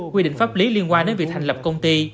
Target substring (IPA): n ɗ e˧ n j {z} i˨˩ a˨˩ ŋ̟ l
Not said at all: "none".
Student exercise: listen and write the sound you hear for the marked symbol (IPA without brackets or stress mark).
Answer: v